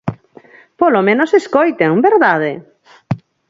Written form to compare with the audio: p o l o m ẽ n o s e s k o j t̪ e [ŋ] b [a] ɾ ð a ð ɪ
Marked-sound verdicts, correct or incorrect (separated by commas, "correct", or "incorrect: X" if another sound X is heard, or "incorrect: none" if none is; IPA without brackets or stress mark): correct, incorrect: e